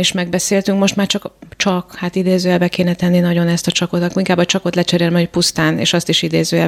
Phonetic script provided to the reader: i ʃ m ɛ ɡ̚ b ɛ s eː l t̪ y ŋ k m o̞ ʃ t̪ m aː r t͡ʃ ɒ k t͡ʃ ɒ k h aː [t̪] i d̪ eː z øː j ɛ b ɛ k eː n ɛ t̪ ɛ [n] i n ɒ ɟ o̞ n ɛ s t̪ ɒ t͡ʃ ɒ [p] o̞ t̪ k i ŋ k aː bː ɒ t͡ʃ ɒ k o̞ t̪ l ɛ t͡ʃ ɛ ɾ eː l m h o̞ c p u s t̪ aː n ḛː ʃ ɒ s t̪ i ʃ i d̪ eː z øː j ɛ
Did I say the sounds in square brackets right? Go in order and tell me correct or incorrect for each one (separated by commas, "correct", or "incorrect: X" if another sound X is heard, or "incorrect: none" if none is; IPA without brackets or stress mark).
correct, incorrect: nː, incorrect: k